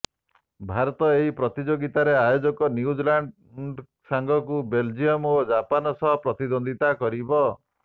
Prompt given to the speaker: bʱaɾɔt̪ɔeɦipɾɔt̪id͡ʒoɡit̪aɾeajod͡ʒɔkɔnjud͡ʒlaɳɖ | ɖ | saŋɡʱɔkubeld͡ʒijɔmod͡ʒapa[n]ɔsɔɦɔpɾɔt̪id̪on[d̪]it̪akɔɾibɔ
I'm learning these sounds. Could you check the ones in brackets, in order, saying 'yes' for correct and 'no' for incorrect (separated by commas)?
yes, yes